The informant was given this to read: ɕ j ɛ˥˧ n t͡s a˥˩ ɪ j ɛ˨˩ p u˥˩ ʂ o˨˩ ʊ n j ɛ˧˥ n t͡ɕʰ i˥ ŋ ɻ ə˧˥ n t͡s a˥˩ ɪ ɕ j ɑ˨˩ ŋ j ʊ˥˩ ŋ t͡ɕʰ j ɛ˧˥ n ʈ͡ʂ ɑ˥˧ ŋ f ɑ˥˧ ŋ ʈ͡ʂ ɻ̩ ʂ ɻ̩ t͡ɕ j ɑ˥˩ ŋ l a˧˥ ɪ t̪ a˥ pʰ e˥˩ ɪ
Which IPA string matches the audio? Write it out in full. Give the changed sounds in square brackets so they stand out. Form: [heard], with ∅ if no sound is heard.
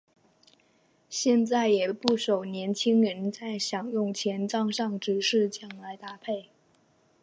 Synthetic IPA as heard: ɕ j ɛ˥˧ n t͡s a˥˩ ɪ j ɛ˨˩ p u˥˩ ʂ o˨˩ ʊ n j ɛ˧˥ n t͡ɕʰ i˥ ŋ ɻ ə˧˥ n t͡s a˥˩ ɪ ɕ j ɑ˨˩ ŋ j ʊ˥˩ ŋ t͡ɕʰ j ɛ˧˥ n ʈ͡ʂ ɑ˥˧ ŋ [ʂ] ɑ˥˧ ŋ ʈ͡ʂ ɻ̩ ʂ ɻ̩ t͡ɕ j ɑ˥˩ ŋ l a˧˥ ɪ t̪ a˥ pʰ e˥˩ ɪ